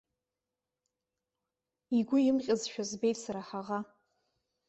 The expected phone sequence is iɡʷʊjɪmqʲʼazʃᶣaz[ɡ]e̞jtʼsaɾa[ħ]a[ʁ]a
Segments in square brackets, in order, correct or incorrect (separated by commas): incorrect, correct, correct